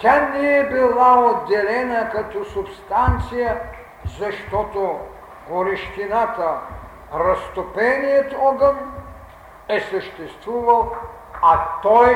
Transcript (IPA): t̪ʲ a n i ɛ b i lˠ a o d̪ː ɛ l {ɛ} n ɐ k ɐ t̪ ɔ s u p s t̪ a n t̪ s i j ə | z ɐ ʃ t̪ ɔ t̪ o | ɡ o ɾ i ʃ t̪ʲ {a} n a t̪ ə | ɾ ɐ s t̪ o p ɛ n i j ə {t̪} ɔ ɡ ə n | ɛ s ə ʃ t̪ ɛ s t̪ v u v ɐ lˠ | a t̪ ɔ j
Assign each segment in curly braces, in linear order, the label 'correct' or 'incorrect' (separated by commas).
correct, incorrect, correct